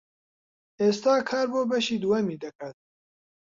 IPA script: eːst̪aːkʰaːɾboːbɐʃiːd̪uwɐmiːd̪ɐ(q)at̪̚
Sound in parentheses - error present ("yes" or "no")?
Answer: yes